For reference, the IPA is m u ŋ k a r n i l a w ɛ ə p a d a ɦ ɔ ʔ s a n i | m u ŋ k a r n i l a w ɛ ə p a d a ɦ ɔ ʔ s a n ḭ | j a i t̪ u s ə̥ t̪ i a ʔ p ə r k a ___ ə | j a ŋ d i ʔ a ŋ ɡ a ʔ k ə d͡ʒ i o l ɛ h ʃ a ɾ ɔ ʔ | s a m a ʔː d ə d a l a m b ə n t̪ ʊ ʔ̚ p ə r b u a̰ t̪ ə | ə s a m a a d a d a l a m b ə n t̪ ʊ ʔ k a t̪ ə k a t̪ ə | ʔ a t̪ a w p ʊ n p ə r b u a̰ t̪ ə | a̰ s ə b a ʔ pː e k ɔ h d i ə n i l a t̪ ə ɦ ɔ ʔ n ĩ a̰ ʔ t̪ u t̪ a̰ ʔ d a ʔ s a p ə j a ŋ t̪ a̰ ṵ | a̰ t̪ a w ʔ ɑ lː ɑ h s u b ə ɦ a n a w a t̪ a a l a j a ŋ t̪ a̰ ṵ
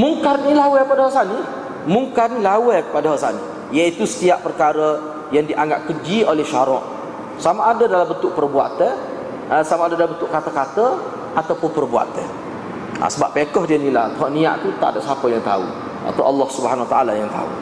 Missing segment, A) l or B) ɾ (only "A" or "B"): B